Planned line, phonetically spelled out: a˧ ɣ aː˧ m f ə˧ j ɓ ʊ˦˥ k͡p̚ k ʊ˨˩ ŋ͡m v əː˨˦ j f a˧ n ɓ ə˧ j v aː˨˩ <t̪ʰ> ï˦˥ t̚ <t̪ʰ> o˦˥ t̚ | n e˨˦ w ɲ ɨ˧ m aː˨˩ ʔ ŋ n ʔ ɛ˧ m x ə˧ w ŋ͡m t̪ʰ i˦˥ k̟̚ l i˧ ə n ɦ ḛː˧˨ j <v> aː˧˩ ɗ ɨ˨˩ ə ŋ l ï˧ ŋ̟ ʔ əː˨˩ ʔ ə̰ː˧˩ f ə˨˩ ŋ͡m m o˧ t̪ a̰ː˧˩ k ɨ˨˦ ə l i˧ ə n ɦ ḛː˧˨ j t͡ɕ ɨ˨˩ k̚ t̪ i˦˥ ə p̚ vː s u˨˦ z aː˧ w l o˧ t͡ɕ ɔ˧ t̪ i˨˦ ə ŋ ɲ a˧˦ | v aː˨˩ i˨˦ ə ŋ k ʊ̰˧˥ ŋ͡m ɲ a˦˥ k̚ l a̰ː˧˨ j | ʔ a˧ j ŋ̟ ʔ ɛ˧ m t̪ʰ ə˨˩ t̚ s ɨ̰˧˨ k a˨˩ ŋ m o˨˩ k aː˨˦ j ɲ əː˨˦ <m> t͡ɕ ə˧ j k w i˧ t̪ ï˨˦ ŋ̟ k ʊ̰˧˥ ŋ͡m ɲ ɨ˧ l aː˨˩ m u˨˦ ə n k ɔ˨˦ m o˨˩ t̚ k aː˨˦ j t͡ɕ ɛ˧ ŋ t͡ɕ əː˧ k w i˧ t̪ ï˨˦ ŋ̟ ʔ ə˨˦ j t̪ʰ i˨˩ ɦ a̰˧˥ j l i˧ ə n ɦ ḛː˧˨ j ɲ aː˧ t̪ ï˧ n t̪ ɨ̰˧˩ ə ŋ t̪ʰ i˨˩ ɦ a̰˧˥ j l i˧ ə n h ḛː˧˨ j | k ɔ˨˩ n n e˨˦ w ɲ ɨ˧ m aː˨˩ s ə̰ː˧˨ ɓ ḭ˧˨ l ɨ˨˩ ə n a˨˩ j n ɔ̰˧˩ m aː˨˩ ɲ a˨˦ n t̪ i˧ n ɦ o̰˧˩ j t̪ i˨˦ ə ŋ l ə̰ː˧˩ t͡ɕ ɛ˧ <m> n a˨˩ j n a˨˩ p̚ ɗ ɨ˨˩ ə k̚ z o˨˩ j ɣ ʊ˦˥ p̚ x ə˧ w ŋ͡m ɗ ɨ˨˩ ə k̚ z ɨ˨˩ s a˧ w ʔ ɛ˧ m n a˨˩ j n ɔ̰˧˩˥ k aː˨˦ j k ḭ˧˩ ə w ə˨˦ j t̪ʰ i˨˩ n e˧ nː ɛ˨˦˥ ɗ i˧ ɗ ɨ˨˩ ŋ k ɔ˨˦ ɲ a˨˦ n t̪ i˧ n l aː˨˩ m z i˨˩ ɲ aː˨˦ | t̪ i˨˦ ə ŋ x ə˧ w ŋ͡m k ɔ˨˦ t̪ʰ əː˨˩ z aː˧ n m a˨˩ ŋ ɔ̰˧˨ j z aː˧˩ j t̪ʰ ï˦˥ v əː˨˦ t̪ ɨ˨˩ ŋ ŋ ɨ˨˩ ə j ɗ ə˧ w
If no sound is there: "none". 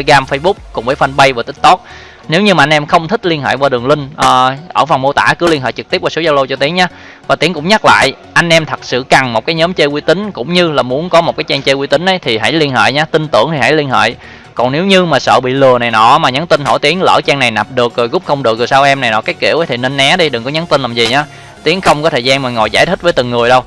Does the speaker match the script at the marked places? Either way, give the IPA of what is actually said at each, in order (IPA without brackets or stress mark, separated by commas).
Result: t̪, t̪, v, m, ŋ